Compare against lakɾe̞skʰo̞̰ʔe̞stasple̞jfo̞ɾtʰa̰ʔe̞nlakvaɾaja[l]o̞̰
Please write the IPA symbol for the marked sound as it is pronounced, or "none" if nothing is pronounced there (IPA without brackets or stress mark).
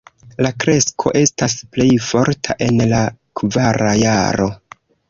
ɾ